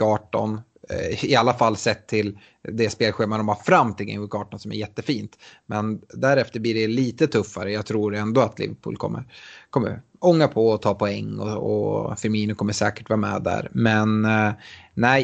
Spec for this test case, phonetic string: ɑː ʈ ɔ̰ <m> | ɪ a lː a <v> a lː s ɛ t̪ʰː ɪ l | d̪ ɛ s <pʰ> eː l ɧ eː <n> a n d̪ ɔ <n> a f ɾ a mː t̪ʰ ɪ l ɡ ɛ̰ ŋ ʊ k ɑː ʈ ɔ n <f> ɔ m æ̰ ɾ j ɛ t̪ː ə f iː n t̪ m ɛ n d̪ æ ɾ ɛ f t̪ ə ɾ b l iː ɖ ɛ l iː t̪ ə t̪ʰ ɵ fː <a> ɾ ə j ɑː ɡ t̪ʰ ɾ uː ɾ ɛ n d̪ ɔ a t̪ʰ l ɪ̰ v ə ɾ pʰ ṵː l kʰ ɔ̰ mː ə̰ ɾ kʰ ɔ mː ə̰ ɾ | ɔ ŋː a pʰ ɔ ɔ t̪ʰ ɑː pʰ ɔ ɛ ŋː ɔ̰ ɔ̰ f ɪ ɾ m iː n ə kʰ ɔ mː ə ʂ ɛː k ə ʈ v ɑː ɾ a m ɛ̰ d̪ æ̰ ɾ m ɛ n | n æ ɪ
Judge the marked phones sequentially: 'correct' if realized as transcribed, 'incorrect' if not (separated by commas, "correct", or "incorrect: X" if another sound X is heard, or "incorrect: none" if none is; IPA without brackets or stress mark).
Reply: incorrect: n, incorrect: f, incorrect: p, incorrect: m, incorrect: m, incorrect: s, correct